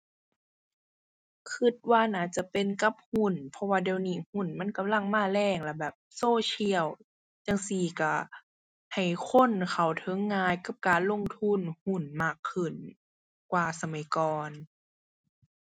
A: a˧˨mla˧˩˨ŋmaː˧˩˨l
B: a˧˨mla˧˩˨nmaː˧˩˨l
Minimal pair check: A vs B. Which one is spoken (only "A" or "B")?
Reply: A